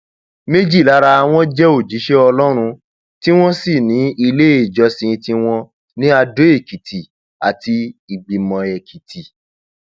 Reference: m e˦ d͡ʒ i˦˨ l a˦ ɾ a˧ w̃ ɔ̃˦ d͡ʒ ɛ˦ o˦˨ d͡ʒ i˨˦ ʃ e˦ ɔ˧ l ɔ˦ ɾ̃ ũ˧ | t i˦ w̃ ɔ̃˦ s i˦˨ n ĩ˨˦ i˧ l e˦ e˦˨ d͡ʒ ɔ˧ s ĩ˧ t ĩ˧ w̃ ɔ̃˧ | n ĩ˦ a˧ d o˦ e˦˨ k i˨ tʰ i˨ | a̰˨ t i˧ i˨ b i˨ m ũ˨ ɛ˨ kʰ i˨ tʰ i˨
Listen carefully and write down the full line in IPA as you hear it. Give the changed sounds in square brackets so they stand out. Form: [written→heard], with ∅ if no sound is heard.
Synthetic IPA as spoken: m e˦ d͡ʒ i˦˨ l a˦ ɾ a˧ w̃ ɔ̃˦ d͡ʒ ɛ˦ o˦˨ d͡ʒ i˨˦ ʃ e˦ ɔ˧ l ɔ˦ ɾ̃ ũ˧ | t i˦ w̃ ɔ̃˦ s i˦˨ n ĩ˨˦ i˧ l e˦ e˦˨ d͡ʒ ɔ˧ s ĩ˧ t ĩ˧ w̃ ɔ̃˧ | n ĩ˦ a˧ d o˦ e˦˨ k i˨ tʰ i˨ | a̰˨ t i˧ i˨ [b→ɡ͡b] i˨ m [ũ˨→ɔ̃˨] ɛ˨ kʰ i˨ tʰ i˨

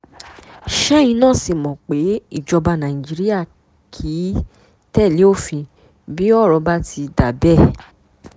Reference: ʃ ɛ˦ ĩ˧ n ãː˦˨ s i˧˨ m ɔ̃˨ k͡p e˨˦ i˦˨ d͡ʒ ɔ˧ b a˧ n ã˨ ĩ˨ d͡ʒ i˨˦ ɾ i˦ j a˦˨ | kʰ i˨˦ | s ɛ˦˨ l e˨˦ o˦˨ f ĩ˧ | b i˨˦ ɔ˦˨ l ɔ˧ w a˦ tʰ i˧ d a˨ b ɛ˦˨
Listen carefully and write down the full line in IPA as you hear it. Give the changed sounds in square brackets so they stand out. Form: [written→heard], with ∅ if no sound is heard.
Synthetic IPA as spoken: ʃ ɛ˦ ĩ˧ n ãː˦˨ s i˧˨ m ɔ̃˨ k͡p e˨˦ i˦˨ d͡ʒ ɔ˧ b a˧ n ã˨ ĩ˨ d͡ʒ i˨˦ ɾ i˦ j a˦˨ | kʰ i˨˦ | [s→t] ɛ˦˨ l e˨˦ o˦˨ f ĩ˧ | b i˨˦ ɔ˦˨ [l→ɾ] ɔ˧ [w→b] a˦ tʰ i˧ d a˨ b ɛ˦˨

